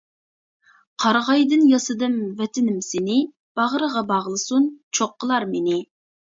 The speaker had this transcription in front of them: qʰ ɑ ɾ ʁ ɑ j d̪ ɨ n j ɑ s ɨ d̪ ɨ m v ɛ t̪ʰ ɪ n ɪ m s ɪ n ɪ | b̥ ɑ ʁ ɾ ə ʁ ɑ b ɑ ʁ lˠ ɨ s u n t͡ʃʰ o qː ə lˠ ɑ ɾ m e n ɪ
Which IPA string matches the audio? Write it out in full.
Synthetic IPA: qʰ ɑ ɾ ʁ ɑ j d̪ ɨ n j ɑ s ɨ d̪ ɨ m v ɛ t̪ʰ ɪ n ɪ m s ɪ n ɪ | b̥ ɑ ʁ ɾ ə ʁ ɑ b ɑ ʁ lˠ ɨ s u n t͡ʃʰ o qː ə lˠ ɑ ɾ m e n ɪ